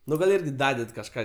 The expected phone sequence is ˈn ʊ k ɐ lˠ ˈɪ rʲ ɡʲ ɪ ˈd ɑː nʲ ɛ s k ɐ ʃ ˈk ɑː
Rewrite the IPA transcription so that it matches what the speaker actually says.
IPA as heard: ˈn ʊ ɡ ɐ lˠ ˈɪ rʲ ɡʲ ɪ ˈd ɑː dʲ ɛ t k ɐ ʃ ˈk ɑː